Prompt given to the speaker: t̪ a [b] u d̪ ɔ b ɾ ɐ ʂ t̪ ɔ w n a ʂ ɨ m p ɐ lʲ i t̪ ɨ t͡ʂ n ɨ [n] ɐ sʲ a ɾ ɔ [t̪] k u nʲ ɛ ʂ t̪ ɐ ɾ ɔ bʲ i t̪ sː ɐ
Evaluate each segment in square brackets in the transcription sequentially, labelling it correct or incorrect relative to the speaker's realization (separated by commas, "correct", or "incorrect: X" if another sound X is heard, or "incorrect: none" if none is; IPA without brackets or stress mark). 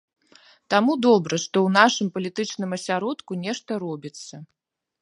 incorrect: m, incorrect: m, correct